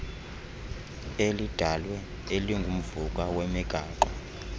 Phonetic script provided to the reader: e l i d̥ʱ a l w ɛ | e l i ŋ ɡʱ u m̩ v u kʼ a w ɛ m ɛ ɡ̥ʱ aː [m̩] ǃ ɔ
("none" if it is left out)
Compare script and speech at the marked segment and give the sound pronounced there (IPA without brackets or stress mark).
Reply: none